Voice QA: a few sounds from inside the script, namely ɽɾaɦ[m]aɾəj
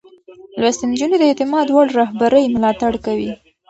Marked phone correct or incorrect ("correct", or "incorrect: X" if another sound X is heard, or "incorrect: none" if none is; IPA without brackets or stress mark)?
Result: incorrect: b